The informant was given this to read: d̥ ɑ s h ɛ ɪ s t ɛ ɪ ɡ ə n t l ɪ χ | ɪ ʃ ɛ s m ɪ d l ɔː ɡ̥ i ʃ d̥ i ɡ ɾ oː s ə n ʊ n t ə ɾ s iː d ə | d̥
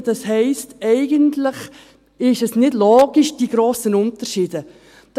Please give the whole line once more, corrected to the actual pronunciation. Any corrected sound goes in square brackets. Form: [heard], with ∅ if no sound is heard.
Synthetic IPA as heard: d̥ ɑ s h ɛ ɪ s t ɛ ɪ ɡ ə n t l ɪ χ | ɪ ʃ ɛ s [n] ɪ d l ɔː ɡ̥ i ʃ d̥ i ɡ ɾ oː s ə n ʊ n t ə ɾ [ʃ] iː d ə | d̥